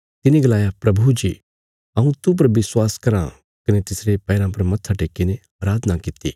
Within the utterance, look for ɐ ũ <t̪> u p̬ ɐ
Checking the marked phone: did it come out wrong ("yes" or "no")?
no